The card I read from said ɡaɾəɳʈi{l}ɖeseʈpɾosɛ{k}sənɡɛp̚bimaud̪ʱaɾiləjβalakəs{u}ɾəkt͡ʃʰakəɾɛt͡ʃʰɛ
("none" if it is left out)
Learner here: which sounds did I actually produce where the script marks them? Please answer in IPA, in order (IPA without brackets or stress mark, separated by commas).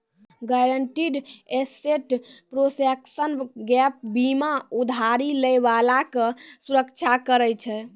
none, k, u